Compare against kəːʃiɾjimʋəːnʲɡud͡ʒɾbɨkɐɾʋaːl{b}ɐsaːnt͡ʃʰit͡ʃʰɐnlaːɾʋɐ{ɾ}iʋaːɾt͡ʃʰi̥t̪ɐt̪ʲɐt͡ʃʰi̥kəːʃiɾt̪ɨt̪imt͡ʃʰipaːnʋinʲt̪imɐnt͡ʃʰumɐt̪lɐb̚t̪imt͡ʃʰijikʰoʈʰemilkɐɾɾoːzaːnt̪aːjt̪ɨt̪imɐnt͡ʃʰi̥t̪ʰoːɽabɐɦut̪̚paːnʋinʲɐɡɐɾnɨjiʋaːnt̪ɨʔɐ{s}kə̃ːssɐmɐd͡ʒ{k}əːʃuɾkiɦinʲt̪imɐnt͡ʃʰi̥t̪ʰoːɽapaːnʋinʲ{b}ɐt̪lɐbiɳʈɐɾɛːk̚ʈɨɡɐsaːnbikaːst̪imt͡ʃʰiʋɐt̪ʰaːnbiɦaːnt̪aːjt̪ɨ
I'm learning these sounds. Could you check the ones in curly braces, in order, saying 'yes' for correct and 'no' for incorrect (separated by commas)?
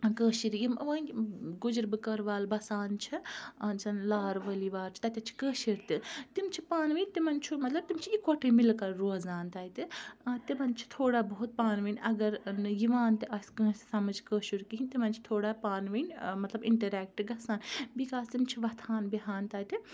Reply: yes, no, yes, yes, no